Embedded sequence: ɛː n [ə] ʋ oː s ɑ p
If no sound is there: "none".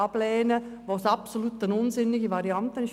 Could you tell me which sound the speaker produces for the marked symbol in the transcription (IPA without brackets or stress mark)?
ə